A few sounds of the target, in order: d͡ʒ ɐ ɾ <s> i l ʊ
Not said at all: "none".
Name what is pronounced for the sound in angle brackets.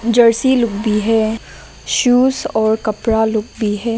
s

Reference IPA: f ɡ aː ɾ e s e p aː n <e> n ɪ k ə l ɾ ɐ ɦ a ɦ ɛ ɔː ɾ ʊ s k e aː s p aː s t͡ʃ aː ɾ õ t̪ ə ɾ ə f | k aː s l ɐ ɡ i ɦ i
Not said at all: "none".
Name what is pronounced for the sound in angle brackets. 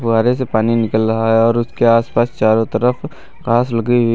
i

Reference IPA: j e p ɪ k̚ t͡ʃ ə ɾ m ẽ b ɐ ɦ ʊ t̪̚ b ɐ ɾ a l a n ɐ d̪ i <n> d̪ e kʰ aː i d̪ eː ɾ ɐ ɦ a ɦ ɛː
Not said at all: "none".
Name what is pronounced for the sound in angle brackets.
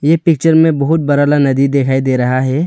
none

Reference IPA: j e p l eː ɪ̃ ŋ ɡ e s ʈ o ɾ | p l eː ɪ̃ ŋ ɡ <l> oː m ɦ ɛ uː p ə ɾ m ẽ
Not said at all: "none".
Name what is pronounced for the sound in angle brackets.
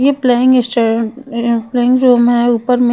ɾ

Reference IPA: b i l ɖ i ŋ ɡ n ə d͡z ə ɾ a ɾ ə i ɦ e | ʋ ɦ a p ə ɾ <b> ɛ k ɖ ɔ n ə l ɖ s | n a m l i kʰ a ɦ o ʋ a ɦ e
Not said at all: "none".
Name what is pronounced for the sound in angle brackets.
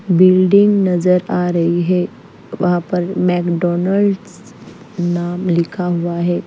m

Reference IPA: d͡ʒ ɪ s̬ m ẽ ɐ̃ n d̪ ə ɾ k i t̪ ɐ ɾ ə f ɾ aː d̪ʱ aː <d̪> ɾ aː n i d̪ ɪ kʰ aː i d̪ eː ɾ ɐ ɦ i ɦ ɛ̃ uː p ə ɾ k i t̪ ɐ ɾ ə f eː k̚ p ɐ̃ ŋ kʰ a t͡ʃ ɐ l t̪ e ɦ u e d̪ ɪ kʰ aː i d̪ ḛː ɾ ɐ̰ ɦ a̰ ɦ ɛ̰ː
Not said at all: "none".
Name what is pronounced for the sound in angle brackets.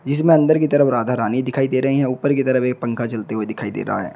none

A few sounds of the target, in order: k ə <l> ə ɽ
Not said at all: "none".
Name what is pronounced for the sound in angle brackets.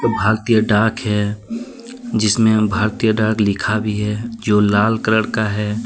ɾ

